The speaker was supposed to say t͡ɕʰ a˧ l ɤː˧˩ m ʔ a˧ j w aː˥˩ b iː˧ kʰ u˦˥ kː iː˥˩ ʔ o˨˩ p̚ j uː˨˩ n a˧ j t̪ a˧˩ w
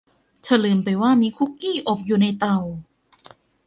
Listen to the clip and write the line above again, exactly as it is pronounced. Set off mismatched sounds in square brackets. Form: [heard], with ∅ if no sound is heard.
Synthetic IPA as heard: t͡ɕʰ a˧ l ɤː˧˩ m [p] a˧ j w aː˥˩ [m] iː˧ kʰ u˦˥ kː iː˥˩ ʔ o˨˩ p̚ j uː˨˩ n a˧ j t̪ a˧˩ w